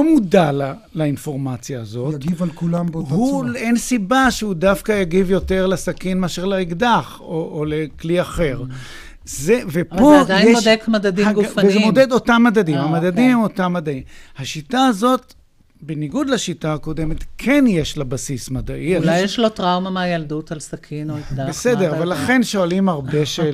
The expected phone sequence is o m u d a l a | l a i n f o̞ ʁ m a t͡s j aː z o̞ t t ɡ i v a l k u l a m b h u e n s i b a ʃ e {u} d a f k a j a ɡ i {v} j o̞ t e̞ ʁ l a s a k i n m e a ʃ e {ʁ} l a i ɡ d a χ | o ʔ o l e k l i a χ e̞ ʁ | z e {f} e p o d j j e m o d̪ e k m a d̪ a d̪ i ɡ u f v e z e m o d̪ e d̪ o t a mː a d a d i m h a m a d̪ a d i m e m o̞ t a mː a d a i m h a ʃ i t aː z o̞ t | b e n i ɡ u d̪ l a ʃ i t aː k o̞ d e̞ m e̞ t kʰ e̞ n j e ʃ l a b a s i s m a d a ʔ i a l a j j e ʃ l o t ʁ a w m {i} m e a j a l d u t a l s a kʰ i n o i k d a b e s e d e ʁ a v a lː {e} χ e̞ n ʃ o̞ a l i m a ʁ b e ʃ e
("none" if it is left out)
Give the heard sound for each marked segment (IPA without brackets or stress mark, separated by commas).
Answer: u, v, ʁ, v, a, a